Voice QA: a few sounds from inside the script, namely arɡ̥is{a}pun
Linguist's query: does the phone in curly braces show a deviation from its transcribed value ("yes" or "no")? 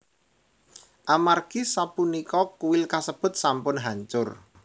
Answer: no